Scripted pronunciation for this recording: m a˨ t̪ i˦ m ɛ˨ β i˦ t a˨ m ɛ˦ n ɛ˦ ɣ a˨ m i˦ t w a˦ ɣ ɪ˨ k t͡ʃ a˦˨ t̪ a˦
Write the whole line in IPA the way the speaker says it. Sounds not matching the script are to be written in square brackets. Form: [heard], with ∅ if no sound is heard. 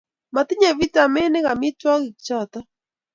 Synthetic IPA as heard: m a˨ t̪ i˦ [ɲ] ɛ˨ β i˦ t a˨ m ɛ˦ n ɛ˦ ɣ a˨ m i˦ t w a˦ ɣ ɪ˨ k t͡ʃ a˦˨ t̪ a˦